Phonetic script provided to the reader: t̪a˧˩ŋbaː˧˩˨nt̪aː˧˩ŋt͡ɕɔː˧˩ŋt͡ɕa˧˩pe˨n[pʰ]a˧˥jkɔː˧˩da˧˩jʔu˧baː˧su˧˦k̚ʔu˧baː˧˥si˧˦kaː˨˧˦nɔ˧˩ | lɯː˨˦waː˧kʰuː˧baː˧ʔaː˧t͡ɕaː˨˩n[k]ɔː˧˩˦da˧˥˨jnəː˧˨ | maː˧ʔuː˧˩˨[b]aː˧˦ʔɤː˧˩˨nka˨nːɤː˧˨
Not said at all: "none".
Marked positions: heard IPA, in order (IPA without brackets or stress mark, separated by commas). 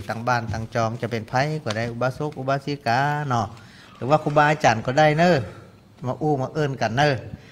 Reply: pʰ, k, m